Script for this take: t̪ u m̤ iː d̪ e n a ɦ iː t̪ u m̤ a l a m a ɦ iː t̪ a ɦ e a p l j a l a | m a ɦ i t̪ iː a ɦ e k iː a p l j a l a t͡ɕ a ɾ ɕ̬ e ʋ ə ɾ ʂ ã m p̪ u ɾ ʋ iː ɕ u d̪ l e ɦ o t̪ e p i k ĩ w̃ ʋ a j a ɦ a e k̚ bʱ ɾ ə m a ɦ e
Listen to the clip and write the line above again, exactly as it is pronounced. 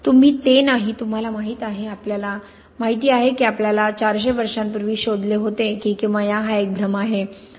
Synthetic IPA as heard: t̪ u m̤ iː t̪ e n a ɦ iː t̪ u m̤ a l a m a ɦ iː t̪ a ɦ e a p l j a l a | m a ɦ i t̪ iː a ɦ e k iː a p l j a l a t͡ɕ a ɾ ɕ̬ e ʋ ə ɾ ʂ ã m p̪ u ɾ ʋ iː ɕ o d̪ l e ɦ o t̪ e k i k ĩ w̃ ʋ a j a ɦ a e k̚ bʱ ɾ ə m a ɦ e